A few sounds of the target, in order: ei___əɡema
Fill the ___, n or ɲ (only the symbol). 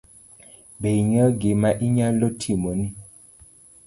ɲ